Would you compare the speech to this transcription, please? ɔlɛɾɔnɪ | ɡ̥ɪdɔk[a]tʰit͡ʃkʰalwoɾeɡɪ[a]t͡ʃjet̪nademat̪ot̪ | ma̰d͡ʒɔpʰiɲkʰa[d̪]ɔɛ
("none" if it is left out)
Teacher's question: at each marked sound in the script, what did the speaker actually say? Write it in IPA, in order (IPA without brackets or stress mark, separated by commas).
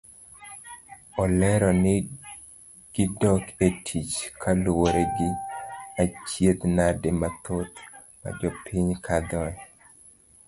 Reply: e, a, d̪